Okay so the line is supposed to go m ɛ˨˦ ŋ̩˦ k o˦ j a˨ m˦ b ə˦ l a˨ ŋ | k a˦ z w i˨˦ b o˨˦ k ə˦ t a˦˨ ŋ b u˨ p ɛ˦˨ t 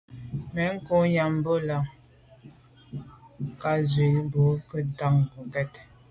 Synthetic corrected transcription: m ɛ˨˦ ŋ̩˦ k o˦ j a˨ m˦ b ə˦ l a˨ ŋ | k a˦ z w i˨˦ b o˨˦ k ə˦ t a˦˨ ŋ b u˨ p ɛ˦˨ t